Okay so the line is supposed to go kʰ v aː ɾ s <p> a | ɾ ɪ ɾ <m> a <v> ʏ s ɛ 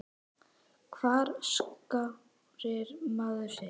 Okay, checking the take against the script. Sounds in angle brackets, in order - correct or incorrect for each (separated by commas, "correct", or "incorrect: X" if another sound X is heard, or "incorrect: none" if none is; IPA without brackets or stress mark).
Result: incorrect: k, correct, incorrect: ð